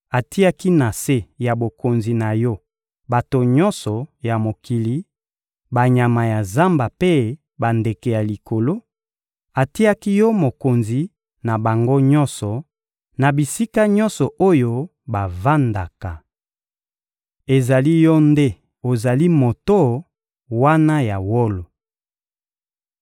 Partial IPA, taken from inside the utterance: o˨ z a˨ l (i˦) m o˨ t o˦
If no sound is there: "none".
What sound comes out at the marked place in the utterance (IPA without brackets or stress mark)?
i˦